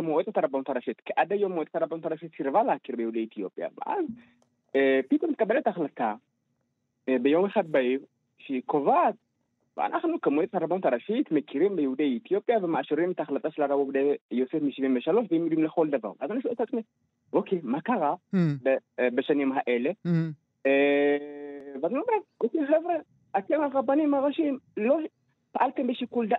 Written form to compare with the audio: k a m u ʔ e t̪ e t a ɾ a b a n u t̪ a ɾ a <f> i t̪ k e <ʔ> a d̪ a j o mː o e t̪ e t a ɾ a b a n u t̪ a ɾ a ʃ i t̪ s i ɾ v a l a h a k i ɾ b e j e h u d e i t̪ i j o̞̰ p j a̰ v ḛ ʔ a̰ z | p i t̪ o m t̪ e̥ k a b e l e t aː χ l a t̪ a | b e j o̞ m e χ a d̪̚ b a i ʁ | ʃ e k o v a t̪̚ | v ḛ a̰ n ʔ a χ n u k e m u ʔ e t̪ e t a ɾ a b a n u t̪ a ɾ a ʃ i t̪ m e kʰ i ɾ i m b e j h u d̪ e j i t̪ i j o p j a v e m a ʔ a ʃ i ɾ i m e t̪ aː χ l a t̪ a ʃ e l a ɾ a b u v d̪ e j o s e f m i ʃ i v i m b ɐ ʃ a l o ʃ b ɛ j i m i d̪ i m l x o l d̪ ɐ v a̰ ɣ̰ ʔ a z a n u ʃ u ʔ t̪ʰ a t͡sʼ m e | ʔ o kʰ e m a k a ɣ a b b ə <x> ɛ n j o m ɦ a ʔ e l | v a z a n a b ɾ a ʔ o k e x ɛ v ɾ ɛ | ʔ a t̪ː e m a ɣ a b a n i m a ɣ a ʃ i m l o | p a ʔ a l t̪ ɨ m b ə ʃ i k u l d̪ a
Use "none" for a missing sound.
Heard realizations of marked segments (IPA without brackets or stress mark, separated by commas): ʃ, ʔ, ʃ